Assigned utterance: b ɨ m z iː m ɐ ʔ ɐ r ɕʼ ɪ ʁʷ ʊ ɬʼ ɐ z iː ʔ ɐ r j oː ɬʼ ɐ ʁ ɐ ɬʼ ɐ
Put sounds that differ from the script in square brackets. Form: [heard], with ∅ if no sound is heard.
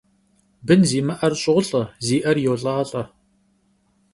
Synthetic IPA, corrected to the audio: b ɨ [n] z iː m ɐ ʔ ɐ r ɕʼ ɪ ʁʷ ʊ ɬʼ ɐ z iː ʔ ɐ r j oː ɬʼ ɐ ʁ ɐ ɬʼ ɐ